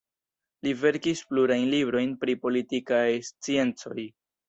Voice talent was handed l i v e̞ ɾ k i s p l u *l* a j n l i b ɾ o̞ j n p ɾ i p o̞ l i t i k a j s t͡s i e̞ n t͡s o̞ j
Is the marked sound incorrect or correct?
incorrect